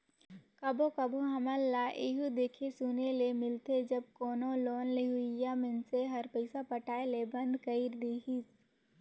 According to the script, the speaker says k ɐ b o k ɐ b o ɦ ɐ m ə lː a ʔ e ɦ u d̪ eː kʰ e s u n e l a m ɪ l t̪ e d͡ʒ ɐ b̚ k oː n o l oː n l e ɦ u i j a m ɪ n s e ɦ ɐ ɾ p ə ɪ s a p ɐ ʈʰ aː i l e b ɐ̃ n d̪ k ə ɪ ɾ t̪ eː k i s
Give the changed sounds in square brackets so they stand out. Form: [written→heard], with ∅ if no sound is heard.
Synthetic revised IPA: k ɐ b o k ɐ b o ɦ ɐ m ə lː a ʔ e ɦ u d̪ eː kʰ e s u n e l [a→e] m ɪ l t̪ e d͡ʒ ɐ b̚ k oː n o l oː n l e ɦ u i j a m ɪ n s e ɦ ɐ ɾ p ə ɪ s a p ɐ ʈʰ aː [i→e] l e b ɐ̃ n d̪ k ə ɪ ɾ [t̪→d̪] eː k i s

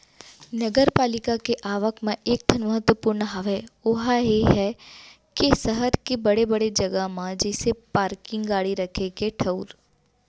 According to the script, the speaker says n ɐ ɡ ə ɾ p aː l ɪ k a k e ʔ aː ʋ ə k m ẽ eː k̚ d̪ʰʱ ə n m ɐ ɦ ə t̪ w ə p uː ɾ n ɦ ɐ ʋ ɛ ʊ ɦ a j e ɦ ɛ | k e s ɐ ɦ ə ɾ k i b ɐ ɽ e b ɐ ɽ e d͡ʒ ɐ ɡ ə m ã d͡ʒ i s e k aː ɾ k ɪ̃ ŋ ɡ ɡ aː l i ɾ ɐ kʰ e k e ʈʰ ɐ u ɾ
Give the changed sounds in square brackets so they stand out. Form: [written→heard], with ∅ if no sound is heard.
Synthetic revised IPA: n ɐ ɡ ə ɾ p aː l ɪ k a k e ʔ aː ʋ ə k m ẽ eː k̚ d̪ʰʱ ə n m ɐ ɦ ə t̪ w ə p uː ɾ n ɦ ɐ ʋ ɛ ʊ ɦ a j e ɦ ɛ | k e s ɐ ɦ ə ɾ k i b ɐ ɽ e b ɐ ɽ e d͡ʒ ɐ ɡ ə m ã d͡ʒ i s e [k→p] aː ɾ k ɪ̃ ŋ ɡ ɡ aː [l→ɽ] i ɾ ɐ kʰ e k e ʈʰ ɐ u ɾ

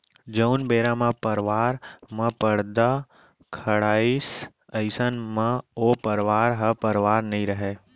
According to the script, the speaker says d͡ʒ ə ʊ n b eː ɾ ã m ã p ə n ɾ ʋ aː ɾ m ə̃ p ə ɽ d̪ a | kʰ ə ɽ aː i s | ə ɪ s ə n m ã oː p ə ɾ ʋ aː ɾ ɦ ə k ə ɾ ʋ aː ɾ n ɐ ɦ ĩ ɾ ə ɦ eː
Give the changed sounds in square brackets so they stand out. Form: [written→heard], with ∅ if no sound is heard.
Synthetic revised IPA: d͡ʒ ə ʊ n b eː ɾ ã m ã p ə [n→∅] ɾ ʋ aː ɾ m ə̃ p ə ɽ d̪ a | kʰ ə ɽ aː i s | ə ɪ s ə n m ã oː p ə ɾ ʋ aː ɾ ɦ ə [k→p] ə ɾ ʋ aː ɾ n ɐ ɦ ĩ ɾ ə ɦ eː

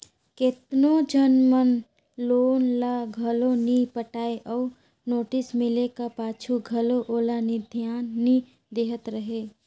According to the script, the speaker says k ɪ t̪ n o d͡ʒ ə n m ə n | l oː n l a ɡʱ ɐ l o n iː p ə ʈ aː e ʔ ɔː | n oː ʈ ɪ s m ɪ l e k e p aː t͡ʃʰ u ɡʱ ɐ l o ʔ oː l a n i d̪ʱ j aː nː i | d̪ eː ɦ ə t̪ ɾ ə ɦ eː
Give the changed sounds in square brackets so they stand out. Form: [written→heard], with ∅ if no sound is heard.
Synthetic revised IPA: k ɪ t̪ n o d͡ʒ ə n m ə n | l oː n l a ɡʱ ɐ l o n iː p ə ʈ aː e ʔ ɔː | n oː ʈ ɪ s m ɪ l e k [e→a] p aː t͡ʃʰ u ɡʱ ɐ l o ʔ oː l a n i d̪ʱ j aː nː i | d̪ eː ɦ ə t̪ ɾ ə ɦ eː

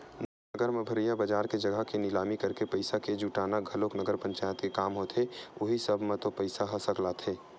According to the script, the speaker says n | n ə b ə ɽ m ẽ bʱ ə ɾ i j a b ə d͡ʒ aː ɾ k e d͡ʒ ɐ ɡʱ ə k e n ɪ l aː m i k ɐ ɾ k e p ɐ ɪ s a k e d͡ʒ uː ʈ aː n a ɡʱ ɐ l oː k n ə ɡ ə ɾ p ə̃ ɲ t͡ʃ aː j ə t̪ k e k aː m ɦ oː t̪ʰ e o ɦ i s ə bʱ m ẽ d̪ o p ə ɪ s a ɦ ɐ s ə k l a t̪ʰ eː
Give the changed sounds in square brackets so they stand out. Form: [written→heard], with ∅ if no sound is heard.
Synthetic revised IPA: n | n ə [b→ɡ] ə [ɽ→ɾ] m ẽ bʱ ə ɾ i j a b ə d͡ʒ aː ɾ k e d͡ʒ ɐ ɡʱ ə k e n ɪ l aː m i k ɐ ɾ k e p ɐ ɪ s a k e d͡ʒ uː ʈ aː n a ɡʱ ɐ l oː k n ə ɡ ə ɾ p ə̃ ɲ t͡ʃ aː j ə t̪ k e k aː m ɦ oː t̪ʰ e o ɦ i s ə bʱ m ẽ [d̪→t̪] o p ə ɪ s a ɦ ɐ s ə k l a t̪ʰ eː

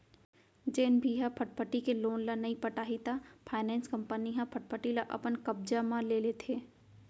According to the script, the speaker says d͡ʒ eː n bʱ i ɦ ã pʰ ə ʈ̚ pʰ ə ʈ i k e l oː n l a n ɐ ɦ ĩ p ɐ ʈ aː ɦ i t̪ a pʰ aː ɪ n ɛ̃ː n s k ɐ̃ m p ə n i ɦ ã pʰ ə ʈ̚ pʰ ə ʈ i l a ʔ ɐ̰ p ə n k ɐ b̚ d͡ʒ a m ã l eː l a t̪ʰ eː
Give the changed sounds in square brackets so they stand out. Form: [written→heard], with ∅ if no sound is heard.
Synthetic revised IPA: d͡ʒ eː n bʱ i ɦ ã pʰ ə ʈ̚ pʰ ə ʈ i k e l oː n l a n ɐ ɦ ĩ p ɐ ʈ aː ɦ i t̪ a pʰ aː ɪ n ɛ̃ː n s k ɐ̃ m p ə n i ɦ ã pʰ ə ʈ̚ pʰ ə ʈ i l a ʔ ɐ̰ p ə n k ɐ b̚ d͡ʒ a m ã l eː l [a→e] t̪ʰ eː

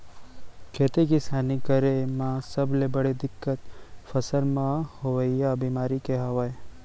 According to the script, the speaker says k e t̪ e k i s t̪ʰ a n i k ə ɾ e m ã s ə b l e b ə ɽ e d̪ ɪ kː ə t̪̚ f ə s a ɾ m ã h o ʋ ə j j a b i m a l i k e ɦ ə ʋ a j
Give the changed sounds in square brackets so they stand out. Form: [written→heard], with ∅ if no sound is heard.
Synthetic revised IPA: [k→kʰ] e t̪ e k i s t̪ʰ a n i k ə ɾ e m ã s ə b l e b ə ɽ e d̪ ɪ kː ə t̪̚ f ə s [a→ə] ɾ m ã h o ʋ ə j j a b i m a [l→ɾ] i k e ɦ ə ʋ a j

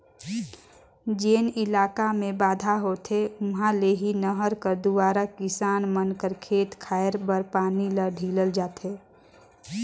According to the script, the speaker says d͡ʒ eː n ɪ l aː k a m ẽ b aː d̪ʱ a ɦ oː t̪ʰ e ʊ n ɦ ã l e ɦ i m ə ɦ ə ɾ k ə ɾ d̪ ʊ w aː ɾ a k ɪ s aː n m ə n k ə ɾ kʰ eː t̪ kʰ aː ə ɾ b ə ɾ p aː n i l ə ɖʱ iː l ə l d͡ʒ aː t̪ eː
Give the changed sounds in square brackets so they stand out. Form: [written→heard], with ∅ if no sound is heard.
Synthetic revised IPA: d͡ʒ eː n ɪ l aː k a m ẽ b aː d̪ʱ a ɦ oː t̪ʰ e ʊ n ɦ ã l e ɦ i [m→n] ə ɦ ə ɾ k ə ɾ d̪ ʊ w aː ɾ a k ɪ s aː n m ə n k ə ɾ kʰ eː t̪ kʰ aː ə ɾ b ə ɾ p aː n i l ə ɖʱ iː l ə l d͡ʒ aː t̪ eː

